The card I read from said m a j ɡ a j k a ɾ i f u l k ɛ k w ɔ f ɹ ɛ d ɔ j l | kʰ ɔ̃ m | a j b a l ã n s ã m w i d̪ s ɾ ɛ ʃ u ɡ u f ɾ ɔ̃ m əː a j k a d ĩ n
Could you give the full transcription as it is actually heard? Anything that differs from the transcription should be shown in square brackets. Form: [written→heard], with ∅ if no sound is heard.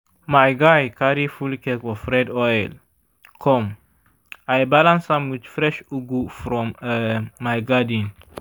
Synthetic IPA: m a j ɡ a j k a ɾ i f u l k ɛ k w ɔ f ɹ ɛ d ɔ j l | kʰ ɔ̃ m | a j b a l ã n s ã m w i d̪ [s→f] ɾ ɛ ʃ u ɡ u f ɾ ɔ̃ m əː a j [k→ɡ] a d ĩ n